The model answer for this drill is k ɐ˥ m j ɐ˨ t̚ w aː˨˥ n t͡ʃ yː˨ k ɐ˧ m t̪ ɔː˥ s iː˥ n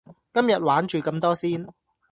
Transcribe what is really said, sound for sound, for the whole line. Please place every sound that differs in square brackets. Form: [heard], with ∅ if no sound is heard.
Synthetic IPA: k ɐ˥ m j ɐ˨ t̚ w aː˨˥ n t͡ʃ yː˨ k ɐ˧ m t̪ ɔː˥ s iː˥ n